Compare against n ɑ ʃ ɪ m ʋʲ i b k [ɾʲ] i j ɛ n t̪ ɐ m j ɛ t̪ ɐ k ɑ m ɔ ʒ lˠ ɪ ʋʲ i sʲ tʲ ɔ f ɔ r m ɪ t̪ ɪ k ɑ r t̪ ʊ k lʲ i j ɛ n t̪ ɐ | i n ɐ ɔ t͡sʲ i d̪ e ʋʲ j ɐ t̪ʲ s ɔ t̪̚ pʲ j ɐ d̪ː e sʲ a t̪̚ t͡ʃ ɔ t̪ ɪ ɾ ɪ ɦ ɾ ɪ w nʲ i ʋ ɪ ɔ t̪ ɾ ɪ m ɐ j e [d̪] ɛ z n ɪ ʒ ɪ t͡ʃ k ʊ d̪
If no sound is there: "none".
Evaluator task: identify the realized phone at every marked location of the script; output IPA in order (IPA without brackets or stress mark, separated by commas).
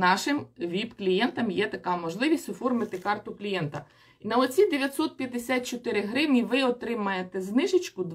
lʲ, t̪